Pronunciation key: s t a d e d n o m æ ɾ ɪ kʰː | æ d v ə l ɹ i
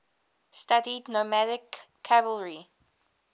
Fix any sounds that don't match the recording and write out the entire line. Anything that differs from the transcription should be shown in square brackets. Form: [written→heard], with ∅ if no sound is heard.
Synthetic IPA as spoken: s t a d [e→i] d n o m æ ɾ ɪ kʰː | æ [d→∅] v ə l ɹ i